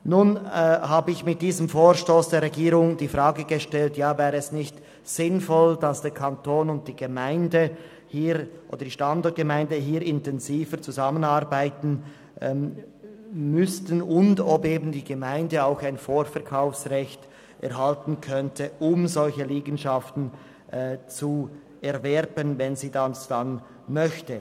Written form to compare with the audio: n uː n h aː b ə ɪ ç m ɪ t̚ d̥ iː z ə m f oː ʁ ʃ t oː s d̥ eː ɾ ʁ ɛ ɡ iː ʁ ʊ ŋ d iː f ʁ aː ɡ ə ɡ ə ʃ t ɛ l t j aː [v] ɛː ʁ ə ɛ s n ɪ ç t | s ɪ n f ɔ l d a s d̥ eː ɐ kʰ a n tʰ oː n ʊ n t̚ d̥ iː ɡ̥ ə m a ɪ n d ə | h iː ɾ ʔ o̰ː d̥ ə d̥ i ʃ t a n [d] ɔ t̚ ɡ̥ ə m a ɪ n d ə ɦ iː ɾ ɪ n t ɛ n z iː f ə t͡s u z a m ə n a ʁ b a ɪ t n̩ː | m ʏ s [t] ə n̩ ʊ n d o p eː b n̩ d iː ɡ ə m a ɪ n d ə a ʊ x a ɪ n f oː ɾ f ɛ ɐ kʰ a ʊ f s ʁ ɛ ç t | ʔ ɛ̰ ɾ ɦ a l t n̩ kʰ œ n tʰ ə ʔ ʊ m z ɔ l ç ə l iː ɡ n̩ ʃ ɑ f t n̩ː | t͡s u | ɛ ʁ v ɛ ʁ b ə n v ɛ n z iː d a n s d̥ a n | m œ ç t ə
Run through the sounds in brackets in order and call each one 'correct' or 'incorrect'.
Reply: correct, correct, correct

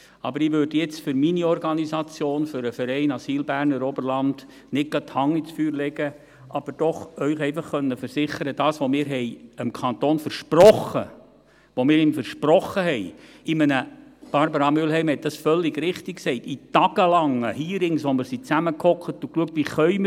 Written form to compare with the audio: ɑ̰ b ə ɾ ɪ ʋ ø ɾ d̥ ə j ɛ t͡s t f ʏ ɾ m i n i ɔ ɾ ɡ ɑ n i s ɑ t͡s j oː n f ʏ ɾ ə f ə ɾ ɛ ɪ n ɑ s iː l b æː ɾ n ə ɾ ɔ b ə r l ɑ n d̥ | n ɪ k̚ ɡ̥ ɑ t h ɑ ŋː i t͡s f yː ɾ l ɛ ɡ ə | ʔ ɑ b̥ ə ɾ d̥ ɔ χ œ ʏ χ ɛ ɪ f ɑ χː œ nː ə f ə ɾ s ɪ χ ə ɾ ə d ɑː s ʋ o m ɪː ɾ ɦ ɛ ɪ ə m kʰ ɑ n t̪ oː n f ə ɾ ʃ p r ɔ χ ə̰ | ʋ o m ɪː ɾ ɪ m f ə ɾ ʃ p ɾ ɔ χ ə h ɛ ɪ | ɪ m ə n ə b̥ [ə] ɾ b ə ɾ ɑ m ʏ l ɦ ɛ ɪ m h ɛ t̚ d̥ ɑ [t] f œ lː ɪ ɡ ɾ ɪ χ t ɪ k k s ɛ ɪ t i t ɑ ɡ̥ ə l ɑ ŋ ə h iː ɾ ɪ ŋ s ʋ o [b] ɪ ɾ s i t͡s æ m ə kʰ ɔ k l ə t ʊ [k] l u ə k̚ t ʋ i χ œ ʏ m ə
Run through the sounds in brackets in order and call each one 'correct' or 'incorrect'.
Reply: incorrect: ɑ, incorrect: s, incorrect: m, correct

